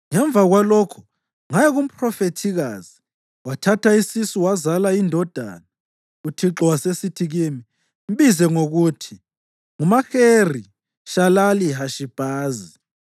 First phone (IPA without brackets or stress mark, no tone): ŋ